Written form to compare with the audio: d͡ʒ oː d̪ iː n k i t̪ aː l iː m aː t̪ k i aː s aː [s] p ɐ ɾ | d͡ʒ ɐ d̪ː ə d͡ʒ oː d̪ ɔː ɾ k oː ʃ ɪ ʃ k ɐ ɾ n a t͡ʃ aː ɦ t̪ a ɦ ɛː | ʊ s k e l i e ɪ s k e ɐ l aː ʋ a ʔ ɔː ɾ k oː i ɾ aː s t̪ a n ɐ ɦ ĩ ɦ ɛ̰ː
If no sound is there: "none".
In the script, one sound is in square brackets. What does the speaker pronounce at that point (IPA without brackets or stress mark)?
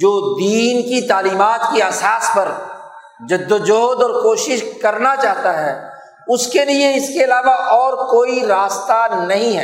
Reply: s